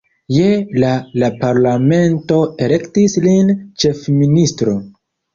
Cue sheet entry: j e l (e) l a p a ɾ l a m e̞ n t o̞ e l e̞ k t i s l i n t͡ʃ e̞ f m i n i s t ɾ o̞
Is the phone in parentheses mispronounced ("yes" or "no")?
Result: yes